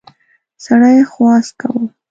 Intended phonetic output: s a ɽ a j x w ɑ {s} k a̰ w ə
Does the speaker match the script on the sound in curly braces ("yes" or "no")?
yes